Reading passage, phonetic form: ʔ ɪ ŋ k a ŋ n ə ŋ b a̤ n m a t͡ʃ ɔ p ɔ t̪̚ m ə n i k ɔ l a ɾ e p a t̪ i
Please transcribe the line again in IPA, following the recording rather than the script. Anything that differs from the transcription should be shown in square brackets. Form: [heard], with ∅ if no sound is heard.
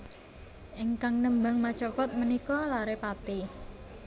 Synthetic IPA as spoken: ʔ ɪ ŋ k a ŋ n ə [m] b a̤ [ŋ] m a t͡ʃ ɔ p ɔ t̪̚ m ə n i k ɔ l a ɾ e p a t̪ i